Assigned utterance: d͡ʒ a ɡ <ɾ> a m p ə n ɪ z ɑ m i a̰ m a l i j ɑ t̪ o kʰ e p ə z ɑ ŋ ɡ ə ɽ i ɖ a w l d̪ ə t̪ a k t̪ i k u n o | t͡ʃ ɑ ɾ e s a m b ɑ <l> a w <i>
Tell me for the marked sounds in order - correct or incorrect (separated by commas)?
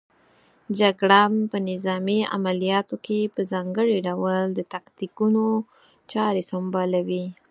incorrect, correct, correct